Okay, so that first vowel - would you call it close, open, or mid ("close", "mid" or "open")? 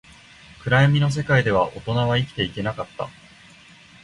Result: close